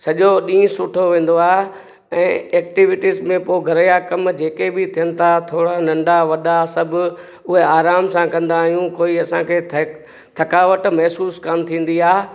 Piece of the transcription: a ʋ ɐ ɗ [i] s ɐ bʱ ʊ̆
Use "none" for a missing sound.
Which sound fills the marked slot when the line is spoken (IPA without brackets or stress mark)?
a